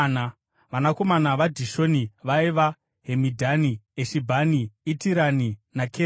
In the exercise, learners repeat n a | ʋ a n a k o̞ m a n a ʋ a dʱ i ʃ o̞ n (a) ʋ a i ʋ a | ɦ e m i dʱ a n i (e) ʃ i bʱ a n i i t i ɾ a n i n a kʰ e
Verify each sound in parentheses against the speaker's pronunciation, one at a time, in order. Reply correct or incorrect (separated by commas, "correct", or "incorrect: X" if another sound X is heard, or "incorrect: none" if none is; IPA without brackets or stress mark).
incorrect: i, correct